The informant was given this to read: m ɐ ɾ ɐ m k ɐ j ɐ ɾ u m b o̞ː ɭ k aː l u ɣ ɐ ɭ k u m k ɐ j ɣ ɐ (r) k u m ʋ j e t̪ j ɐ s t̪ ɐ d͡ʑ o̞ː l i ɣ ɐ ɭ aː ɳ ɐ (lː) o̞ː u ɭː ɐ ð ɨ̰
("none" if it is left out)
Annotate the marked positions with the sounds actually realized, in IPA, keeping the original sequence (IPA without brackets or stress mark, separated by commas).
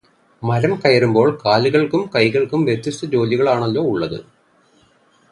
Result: ɭ, lː